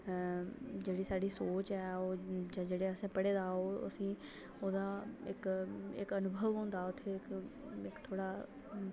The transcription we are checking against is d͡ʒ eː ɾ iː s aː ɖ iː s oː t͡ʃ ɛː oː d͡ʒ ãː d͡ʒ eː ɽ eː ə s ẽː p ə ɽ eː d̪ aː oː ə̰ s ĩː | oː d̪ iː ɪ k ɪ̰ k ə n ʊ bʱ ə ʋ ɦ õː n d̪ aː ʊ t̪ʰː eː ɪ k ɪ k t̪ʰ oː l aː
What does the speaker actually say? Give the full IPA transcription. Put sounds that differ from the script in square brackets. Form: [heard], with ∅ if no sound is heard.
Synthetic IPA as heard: d͡ʒ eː [ɽ] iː s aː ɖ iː s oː t͡ʃ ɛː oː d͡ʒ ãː d͡ʒ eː ɽ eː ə s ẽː p ə ɽ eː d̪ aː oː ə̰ s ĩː | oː d̪ [aː] ɪ k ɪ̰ k ə n ʊ bʱ ə ʋ ɦ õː n d̪ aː ʊ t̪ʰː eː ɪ k ɪ k t̪ʰ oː [ɽ] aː